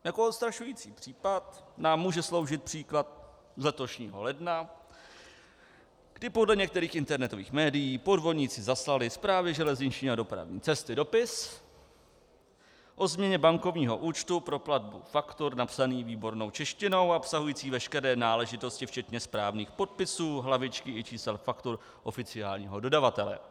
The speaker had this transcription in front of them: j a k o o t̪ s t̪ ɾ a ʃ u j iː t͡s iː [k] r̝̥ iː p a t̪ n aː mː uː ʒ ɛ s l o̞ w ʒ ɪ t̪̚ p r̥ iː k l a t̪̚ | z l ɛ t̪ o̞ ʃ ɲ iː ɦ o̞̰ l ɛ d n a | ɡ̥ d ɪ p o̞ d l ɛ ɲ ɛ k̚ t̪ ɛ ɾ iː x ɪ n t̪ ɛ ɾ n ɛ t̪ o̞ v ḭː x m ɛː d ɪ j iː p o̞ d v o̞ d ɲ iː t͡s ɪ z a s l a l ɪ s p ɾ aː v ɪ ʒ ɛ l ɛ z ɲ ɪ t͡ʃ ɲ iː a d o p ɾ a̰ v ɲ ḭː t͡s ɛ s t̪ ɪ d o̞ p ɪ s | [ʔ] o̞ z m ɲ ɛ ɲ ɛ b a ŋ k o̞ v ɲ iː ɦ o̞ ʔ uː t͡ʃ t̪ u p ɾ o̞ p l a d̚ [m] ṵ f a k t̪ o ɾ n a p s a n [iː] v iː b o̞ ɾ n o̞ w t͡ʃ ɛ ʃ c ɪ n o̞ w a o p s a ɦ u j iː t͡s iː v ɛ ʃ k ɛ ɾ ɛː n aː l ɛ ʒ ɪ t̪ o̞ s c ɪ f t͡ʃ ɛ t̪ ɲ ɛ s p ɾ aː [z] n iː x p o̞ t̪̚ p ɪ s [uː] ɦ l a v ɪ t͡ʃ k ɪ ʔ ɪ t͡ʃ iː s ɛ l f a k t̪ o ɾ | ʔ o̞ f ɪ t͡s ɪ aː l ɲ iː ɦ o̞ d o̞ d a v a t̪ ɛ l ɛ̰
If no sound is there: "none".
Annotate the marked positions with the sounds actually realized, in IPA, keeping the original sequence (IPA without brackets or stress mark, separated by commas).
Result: p, ʔ, b, iː, v, uː